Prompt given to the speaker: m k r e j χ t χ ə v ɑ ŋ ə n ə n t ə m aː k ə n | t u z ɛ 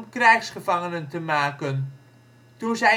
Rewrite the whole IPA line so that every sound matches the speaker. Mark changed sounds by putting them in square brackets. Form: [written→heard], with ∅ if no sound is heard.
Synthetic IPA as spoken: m k r [e→ɛ] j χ [t→s] χ ə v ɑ ŋ ə n ə n t ə m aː k ə n | t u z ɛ